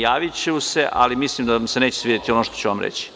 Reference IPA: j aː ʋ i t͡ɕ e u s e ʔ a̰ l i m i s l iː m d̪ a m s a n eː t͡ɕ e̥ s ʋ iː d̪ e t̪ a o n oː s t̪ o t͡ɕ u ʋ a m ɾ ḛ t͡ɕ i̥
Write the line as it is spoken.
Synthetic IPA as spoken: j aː ʋ i t͡ɕ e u s e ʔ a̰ l i m i s l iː m d̪ a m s e n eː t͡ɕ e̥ s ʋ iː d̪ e t̪ i o n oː ʃ t̪ o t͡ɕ u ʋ a m ɾ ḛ t͡ɕ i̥